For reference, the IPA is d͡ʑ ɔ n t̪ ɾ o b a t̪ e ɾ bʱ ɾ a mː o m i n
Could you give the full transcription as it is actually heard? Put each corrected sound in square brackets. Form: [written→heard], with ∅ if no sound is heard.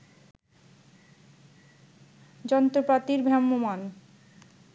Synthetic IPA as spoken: d͡ʑ ɔ n t̪ ɾ o [b→p] a t̪ [e→i] ɾ bʱ ɾ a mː o m [i→a] n